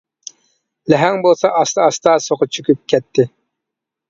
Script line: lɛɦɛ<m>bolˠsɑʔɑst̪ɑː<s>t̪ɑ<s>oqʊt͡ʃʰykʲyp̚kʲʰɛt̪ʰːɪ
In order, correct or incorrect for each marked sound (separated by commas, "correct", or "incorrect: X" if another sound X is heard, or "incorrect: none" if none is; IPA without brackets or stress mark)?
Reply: incorrect: ŋ, correct, correct